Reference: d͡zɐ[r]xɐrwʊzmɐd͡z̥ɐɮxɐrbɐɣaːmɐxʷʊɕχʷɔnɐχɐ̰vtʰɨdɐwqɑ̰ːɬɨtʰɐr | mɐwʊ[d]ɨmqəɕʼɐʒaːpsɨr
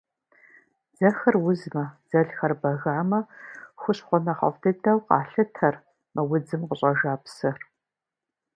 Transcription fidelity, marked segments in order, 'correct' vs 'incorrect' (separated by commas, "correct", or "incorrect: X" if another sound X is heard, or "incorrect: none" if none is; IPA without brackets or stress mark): incorrect: none, incorrect: d͡z